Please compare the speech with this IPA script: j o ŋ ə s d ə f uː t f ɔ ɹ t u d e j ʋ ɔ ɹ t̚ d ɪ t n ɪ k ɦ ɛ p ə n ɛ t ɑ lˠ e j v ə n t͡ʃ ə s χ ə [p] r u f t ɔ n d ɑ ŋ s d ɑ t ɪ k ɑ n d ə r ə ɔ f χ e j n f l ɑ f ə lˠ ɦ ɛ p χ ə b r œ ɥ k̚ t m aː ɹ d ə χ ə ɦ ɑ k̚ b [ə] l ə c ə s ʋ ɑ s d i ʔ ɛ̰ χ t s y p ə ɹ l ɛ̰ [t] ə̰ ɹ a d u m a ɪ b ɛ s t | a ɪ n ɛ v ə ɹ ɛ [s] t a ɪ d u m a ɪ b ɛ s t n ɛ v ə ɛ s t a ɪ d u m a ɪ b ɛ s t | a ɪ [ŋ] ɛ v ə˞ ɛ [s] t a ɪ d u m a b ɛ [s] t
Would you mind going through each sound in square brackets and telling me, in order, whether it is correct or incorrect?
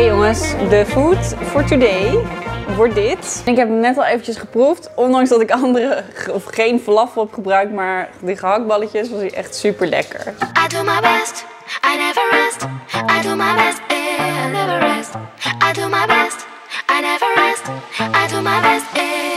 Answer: correct, incorrect, incorrect, correct, incorrect, correct, correct

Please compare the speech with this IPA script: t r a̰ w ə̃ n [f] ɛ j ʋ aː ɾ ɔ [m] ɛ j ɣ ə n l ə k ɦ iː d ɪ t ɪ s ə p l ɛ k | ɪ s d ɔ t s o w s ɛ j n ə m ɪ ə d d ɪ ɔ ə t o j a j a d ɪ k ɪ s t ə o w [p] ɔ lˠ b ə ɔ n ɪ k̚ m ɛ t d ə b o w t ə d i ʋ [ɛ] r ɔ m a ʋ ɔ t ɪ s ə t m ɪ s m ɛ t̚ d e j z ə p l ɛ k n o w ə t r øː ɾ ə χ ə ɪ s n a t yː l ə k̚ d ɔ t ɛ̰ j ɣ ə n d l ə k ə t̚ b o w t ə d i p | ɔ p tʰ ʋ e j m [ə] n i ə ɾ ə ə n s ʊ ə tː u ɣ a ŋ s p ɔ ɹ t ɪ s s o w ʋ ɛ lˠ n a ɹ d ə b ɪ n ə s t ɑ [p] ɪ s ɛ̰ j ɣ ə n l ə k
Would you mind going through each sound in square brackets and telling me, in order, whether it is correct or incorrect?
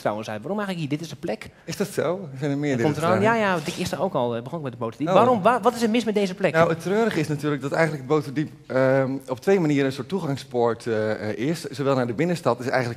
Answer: incorrect, correct, incorrect, incorrect, incorrect, incorrect

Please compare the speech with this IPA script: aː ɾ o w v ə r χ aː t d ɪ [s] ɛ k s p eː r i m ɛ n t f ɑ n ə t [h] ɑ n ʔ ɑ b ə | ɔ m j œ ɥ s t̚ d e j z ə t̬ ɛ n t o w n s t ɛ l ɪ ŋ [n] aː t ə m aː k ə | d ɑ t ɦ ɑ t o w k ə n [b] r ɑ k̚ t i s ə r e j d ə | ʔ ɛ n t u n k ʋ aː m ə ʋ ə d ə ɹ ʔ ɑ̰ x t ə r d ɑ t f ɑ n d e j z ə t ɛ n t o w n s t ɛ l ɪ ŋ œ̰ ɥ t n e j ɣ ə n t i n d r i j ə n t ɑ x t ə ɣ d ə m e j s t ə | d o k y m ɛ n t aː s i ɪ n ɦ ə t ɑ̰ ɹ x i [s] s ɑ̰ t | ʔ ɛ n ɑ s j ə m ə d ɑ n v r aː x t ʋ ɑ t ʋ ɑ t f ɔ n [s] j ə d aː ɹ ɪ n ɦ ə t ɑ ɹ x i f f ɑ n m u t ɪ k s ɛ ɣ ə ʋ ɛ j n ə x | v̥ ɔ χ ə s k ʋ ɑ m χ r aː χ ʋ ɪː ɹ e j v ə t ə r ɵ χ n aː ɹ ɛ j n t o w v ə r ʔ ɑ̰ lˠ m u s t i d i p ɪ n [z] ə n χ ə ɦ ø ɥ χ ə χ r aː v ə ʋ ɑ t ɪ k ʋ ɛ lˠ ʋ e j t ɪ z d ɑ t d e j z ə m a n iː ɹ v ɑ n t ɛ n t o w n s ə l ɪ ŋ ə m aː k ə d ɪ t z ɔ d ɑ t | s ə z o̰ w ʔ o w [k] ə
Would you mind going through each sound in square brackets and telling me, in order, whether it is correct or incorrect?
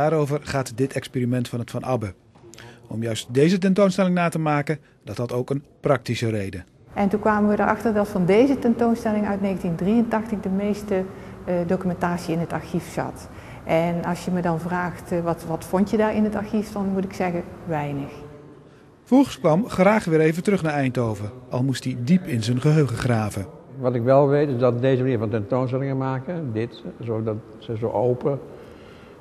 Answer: incorrect, incorrect, correct, incorrect, incorrect, incorrect, correct, incorrect

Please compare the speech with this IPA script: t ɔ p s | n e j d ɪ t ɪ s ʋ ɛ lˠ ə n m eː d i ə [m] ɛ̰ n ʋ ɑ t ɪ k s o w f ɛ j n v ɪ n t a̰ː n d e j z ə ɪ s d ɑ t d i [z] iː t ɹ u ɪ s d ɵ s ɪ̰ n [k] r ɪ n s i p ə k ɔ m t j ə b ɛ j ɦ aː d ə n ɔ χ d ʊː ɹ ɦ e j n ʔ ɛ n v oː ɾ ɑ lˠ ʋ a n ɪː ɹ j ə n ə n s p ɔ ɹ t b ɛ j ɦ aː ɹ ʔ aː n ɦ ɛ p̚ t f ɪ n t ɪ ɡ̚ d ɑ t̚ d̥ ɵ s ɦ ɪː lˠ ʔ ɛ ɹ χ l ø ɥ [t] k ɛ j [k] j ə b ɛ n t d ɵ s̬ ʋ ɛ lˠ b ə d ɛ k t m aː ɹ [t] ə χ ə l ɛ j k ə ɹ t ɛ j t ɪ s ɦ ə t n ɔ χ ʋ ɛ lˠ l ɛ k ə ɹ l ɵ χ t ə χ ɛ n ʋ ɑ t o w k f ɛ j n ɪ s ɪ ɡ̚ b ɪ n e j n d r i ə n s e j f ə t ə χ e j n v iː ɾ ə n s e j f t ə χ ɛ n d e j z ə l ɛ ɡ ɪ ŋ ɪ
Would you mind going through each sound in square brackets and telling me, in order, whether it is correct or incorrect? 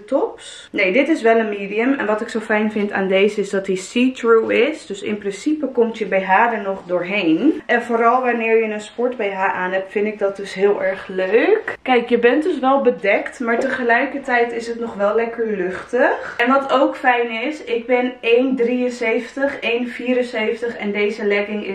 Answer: correct, incorrect, incorrect, incorrect, correct, correct

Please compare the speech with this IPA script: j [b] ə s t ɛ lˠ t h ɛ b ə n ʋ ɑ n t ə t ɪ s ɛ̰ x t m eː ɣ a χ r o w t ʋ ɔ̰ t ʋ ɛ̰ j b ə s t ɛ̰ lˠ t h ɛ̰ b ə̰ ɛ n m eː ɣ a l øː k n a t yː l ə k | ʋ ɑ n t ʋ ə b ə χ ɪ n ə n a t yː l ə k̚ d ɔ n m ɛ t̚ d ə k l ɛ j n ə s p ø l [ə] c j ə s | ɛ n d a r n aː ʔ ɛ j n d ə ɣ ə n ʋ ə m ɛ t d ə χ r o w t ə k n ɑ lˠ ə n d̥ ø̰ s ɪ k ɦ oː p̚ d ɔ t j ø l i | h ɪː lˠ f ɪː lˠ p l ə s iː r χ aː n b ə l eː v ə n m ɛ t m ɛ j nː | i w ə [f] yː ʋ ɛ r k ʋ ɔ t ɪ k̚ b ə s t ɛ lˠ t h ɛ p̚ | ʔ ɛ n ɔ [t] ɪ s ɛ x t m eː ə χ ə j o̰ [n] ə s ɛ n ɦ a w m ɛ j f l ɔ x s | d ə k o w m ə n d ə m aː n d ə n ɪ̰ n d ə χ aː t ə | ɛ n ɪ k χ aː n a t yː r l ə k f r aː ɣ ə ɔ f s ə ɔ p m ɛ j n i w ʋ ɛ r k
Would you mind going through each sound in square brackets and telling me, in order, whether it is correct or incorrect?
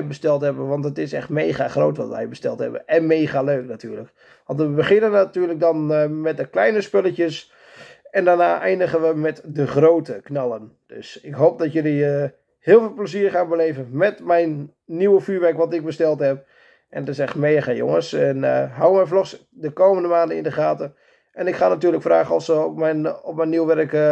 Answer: correct, correct, correct, correct, incorrect

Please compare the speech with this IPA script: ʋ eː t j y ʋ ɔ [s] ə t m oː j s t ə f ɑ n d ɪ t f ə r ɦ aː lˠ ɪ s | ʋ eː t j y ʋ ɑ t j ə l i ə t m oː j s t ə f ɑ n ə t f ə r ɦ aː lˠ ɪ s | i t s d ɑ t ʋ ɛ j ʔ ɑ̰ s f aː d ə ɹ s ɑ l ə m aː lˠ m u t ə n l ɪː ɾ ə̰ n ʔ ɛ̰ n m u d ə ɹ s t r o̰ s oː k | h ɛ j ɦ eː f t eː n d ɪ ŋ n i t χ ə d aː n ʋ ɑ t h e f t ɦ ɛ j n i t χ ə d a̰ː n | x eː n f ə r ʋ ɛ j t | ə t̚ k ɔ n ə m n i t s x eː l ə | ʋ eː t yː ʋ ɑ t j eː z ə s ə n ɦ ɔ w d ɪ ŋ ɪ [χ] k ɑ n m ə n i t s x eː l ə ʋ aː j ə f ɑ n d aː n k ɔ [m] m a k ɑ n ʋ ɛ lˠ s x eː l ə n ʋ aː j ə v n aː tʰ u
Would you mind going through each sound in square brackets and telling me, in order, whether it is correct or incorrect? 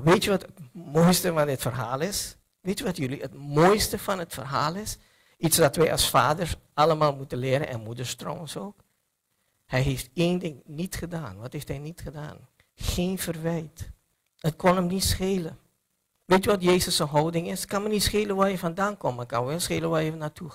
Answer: incorrect, incorrect, correct

